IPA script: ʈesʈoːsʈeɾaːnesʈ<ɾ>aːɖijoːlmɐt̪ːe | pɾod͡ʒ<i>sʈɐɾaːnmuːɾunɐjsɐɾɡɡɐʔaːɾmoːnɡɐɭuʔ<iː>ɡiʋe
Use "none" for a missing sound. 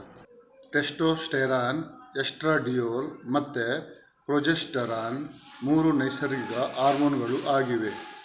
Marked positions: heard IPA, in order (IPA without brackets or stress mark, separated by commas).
ɾ, e, aː